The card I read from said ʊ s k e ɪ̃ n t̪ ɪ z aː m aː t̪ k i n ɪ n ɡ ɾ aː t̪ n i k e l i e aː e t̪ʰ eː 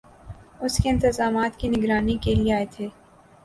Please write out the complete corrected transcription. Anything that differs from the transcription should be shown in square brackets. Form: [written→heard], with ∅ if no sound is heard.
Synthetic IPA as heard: ʊ s k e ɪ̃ n t̪ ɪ z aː m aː t̪ k i n ɪ [n→∅] ɡ ɾ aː [t̪→∅] n i k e l i e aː e t̪ʰ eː